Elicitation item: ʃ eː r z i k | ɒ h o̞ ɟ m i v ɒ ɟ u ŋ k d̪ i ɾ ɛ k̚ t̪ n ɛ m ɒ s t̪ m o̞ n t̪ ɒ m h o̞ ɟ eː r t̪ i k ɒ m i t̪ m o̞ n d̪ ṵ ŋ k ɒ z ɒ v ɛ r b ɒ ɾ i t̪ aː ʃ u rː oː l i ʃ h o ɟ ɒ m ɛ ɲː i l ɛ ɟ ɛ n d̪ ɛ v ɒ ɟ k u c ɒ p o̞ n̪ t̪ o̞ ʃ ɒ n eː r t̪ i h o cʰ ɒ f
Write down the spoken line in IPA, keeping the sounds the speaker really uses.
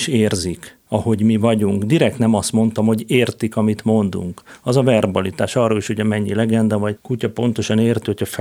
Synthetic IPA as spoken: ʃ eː r z i k | ɒ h o̞ ɟ m i v ɒ ɟ u ŋ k d̪ i ɾ ɛ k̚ t̪ n ɛ m ɒ s t̪ m o̞ n t̪ ɒ m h o̞ ɟ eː r t̪ i k ɒ m i t̪ m o̞ n d̪ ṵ ŋ k ɒ z ɒ v ɛ r b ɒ l i t̪ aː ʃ ɒ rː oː l i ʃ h o ɟ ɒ m ɛ ɲː i l ɛ ɡ ɛ n d̪ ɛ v ɒ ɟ k u c ɒ p o̞ n̪ t̪ o̞ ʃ ɒ n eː r t̪ i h o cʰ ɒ f